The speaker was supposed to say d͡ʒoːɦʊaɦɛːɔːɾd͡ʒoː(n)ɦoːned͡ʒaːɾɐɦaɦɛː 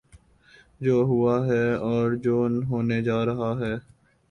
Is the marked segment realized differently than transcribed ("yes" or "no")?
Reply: no